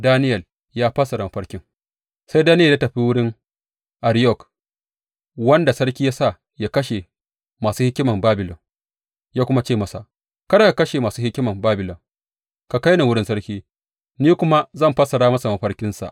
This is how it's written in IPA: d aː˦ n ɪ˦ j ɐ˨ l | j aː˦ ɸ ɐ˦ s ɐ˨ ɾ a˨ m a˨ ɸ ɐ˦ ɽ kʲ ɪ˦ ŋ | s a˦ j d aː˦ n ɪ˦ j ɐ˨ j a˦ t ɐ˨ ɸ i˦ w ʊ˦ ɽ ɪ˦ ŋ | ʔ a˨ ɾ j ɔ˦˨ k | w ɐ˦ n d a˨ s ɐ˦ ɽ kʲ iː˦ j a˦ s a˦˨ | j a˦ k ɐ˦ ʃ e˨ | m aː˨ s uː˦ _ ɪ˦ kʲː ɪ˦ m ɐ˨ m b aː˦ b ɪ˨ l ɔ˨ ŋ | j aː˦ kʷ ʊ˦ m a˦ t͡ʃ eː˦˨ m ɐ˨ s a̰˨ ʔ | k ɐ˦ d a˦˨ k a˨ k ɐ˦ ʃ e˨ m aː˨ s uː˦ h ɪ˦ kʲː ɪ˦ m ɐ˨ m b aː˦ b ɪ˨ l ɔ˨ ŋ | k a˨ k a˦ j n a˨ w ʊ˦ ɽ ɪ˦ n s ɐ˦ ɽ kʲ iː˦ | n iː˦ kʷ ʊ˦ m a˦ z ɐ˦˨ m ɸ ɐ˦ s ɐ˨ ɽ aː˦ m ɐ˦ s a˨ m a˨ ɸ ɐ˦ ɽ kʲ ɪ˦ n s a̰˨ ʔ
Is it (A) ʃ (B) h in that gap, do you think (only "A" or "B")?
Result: B